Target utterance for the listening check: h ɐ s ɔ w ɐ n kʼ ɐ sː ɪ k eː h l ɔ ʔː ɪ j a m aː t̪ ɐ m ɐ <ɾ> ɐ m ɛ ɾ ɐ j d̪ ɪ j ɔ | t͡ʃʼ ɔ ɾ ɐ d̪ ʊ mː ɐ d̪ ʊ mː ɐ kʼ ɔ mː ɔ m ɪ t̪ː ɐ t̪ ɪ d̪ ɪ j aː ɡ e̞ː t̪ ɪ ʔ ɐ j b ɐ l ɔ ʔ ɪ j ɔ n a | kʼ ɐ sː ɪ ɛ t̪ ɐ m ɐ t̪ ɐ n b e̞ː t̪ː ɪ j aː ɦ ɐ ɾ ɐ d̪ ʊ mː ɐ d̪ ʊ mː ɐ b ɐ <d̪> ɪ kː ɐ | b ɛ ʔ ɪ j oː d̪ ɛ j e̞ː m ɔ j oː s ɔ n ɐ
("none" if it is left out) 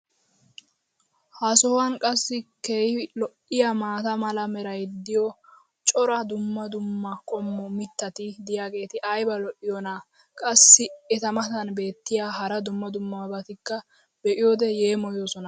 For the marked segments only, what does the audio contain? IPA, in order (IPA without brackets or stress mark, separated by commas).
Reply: l, t̪